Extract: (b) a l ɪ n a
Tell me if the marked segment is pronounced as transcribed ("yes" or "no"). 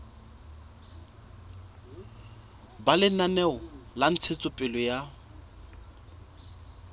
yes